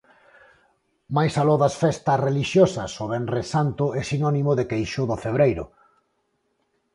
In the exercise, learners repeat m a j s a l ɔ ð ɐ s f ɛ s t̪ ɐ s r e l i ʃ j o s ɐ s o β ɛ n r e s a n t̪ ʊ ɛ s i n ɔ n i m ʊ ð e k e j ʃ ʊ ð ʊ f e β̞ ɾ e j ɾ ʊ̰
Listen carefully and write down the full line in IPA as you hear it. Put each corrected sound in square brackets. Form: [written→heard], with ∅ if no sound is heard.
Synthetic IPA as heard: m a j s a l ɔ ð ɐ s f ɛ s t̪ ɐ s r e l i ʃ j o s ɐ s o β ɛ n r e s a n t̪ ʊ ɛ s i n ɔ n i m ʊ ð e k e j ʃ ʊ ð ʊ f e β̞ ɾ e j ɾ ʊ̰

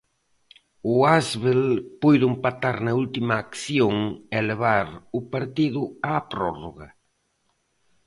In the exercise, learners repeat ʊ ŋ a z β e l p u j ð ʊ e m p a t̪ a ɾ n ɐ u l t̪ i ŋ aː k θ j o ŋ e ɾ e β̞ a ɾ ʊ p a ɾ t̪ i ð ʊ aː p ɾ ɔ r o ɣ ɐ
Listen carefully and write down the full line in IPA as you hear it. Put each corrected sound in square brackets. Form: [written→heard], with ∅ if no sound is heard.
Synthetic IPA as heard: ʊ [ŋ→∅] a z β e l p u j ð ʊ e m p a t̪ a ɾ n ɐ u l t̪ i [ŋ→m] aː k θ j o ŋ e [ɾ→l] e β̞ a ɾ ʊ p a ɾ t̪ i ð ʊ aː p ɾ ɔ r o ɣ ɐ

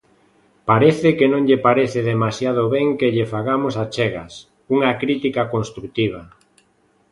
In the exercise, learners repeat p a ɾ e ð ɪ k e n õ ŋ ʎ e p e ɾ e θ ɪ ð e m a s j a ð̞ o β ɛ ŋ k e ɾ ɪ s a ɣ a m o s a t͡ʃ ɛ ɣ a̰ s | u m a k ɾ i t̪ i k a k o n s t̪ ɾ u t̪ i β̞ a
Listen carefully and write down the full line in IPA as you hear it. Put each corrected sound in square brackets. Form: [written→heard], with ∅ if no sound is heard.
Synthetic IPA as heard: p a ɾ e [ð→θ] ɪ k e n õ ŋ ʎ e p [e→a] ɾ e θ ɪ ð e m a s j a ð̞ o β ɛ ŋ k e [ɾ→ʎ] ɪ [s→f] a ɣ a m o s a t͡ʃ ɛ ɣ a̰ s | u [m→ŋ] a k ɾ i t̪ i k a k o n s t̪ ɾ u t̪ i β̞ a

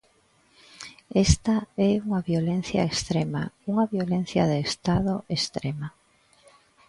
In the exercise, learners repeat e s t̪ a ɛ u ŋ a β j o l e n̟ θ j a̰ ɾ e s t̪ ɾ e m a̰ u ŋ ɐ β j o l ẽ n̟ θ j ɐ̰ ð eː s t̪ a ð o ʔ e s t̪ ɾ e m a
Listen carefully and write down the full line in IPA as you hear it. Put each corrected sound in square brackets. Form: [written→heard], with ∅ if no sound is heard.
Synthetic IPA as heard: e s t̪ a ɛ u ŋ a β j o l e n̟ θ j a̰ [ɾ→∅] e s t̪ ɾ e m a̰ u ŋ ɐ β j o l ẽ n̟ θ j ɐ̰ ð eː s t̪ a ð o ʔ e s t̪ ɾ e m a

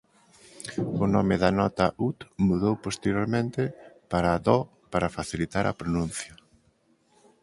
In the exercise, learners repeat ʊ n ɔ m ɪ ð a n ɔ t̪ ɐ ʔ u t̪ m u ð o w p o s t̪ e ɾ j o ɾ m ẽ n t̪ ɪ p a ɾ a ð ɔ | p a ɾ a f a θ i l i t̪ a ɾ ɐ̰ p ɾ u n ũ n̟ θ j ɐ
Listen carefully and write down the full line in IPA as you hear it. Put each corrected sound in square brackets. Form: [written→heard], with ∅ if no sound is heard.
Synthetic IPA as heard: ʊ n ɔ m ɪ ð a n ɔ t̪ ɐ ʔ u t̪ m u ð o w p o s t̪ e ɾ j o ɾ m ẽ n t̪ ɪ p a ɾ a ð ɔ | p a ɾ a f a θ i l i t̪ a ɾ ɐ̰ p ɾ [u→o] n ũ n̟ θ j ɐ

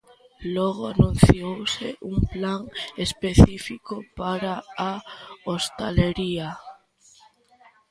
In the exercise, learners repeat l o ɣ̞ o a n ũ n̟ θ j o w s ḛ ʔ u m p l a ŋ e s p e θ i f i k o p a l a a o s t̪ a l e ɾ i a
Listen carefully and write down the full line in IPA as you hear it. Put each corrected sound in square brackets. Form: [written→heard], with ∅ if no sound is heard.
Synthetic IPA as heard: l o ɣ̞ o a n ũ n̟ θ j o w s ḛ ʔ u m p l a ŋ e s p e θ i f i k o p a [l→ɾ] a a o s t̪ a l e ɾ i a

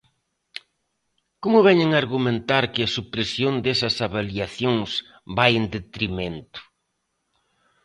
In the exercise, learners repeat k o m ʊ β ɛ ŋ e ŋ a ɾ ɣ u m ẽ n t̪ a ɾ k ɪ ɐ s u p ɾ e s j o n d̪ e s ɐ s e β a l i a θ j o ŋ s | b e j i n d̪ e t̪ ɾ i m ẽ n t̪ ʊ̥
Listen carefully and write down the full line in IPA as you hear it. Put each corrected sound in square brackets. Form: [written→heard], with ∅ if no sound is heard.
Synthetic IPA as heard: k o m ʊ β ɛ [ŋ→ɲ] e ŋ a ɾ ɣ u m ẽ n t̪ a ɾ k ɪ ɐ s u p ɾ e s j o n d̪ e s ɐ s [e→a] β a l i a θ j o ŋ s | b [e→a] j [i→e] n d̪ e t̪ ɾ i m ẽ n t̪ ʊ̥

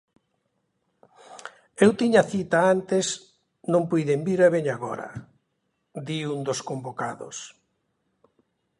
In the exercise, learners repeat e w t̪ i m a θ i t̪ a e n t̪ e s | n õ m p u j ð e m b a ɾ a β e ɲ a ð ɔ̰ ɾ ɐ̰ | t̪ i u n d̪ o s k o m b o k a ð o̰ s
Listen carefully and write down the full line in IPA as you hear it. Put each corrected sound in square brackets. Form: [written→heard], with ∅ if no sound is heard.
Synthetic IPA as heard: e w t̪ i [m→ɲ] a θ i t̪ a [e→a] n t̪ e s | n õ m p u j ð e m b [a→i] ɾ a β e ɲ a [ð→ɣ] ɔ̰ ɾ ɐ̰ | [t̪→d̪] i u n d̪ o s k o m b o k a ð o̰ s

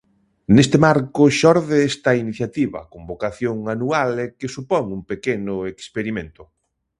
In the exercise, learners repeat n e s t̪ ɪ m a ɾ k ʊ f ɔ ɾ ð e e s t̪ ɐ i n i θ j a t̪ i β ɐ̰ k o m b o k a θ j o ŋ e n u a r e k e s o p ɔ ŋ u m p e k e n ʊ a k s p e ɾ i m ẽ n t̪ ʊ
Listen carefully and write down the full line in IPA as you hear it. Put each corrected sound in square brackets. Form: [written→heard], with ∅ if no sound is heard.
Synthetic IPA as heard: n e s t̪ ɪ m a ɾ k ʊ [f→ʃ] ɔ ɾ ð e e s t̪ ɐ i n i θ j a t̪ i β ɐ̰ k o m b o k a θ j o ŋ [e→a] n u a [r→l] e k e s [o→u] p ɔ ŋ u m p e k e n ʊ [a→e] k s p e ɾ i m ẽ n t̪ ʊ

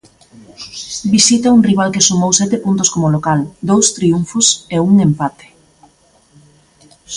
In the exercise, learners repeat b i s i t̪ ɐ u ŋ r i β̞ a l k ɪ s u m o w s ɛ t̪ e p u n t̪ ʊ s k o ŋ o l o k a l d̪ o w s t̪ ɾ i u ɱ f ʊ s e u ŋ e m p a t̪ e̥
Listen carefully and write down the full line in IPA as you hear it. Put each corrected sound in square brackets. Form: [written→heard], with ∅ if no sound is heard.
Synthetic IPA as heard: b i s i t̪ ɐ u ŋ r i β̞ a l k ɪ s u m o w s ɛ t̪ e p u n t̪ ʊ s k o [ŋ→m] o l o k a l d̪ o w s t̪ ɾ i u ɱ f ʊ s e u ŋ e m p a t̪ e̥

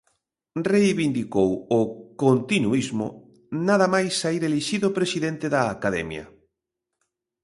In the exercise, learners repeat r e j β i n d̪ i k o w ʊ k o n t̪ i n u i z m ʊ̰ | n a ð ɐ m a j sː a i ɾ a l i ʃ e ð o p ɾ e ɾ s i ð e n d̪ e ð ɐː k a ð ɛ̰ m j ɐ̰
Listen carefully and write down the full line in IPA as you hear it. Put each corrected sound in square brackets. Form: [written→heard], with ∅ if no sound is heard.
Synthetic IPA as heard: r e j β i n d̪ i k o w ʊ k o n t̪ i n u i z m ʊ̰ | n a ð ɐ m a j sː a i ɾ [a→e] l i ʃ [e→i] ð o p ɾ e [ɾ→∅] s i ð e n [d̪→t̪] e ð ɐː k a ð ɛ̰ m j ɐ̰

